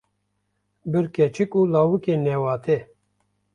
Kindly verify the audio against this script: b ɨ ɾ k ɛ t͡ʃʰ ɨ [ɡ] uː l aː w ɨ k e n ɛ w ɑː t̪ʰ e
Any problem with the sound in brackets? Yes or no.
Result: yes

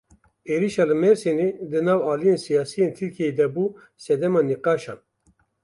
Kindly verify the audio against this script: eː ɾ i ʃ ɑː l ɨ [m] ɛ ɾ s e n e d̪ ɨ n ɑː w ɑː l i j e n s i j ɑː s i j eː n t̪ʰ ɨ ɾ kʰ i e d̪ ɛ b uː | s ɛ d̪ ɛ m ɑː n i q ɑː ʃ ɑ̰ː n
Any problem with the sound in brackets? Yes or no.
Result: no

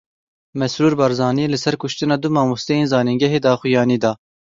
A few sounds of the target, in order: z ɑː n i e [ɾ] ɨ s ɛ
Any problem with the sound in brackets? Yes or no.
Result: yes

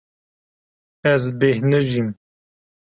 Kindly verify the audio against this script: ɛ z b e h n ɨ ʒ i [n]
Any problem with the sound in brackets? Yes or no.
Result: yes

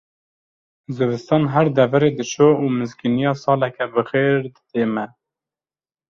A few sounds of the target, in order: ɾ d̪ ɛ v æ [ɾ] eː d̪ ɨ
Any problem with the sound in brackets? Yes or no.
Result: no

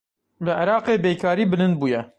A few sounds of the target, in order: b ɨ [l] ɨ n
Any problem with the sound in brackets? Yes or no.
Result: no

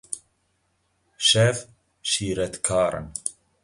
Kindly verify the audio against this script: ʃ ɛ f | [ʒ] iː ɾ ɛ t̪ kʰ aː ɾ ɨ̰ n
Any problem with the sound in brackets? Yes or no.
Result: yes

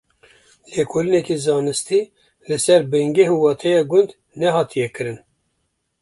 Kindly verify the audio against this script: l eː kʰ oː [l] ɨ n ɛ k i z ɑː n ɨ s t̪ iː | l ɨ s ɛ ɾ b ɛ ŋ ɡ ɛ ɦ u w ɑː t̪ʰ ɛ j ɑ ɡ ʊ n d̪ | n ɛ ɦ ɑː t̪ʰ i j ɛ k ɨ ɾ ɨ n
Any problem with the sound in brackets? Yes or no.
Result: no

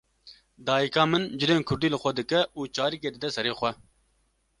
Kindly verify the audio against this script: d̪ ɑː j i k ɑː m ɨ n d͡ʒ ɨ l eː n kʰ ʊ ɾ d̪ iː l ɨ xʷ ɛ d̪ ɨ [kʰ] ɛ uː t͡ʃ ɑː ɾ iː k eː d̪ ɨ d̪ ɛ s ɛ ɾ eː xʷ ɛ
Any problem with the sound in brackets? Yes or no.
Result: yes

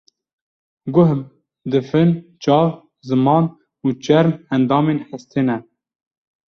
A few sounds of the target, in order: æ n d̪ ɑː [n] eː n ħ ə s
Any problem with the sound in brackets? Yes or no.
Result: yes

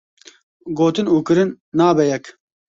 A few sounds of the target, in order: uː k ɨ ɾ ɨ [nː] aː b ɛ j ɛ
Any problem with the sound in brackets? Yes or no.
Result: no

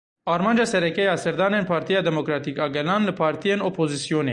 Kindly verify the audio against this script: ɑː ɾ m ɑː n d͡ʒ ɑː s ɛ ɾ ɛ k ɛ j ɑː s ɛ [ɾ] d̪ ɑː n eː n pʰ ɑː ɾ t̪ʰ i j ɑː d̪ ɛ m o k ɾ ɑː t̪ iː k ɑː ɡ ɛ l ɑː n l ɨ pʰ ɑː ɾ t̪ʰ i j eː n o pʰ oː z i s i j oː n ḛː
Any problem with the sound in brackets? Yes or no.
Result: no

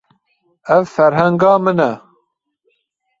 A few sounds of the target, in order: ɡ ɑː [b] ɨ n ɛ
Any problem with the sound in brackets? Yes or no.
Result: yes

